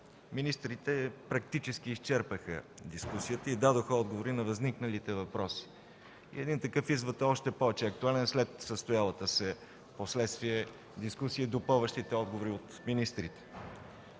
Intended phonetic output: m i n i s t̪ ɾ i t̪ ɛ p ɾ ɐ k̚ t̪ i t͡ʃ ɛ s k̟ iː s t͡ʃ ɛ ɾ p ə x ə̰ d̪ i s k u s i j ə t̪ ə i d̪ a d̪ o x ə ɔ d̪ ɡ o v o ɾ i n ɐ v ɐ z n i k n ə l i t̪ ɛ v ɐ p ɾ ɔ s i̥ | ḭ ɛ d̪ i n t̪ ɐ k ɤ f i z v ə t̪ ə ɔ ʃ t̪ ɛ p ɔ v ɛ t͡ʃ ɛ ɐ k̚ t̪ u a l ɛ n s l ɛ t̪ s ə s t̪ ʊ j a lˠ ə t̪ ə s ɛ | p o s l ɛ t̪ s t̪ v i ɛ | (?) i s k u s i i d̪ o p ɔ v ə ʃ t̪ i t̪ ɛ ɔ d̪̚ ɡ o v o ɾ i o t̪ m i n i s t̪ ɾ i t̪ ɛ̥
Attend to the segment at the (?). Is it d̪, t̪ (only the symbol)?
d̪